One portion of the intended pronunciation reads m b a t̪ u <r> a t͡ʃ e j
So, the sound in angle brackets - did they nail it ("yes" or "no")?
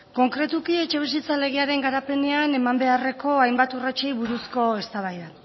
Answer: yes